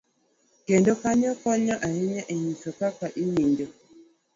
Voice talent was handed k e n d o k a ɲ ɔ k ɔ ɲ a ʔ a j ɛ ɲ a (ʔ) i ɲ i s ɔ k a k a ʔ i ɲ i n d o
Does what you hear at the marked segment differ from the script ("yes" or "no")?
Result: no